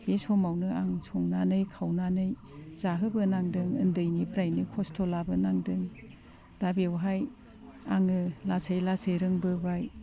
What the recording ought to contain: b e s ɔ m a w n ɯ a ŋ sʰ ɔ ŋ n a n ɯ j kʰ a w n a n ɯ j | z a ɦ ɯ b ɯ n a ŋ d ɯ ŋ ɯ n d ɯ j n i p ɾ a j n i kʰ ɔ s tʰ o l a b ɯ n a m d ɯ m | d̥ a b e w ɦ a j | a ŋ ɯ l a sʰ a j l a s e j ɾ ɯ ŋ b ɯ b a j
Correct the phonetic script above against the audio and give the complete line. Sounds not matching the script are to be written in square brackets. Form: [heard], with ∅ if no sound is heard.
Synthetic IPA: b e s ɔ m a w n ɯ a ŋ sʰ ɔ ŋ n a n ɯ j kʰ a w n a n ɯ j | z a ɦ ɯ b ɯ n a ŋ d ɯ ŋ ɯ n d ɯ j n i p ɾ a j n i kʰ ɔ s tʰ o l a b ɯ n a [ŋ] d ɯ [ŋ] | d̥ a b e w ɦ a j | a ŋ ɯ l a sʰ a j l a s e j ɾ ɯ ŋ b ɯ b a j